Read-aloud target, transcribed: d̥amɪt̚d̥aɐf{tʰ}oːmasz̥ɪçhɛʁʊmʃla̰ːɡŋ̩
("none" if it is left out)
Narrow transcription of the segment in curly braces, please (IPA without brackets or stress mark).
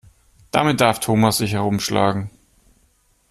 tʰ